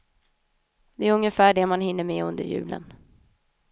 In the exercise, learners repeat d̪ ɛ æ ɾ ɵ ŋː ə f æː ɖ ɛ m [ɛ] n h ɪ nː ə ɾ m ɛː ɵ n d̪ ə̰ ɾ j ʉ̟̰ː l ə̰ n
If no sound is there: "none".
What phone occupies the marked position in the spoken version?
a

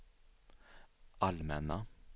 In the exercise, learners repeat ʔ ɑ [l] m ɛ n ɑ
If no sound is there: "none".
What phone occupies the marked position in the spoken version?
l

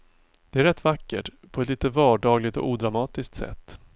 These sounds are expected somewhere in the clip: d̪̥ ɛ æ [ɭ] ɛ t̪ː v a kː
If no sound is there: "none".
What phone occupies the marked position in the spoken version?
ɾ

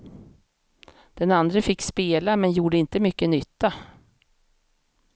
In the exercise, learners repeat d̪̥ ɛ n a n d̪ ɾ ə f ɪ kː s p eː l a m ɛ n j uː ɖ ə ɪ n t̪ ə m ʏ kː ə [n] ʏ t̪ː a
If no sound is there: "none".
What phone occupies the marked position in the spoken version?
n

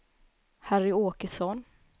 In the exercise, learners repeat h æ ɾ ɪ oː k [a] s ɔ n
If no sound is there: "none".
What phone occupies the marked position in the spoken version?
ə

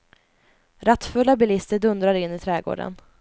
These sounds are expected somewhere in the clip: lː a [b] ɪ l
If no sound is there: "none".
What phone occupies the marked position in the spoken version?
b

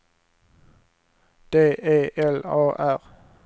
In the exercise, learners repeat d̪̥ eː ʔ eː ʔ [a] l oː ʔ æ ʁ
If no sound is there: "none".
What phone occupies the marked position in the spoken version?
ɛ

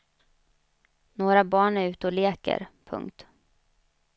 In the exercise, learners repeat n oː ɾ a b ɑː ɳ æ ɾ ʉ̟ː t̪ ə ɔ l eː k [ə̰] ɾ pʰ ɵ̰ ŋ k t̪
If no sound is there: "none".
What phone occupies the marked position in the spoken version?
ə̰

